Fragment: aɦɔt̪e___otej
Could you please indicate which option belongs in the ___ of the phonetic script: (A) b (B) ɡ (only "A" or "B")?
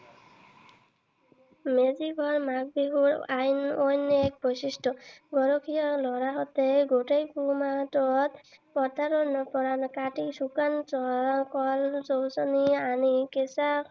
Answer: B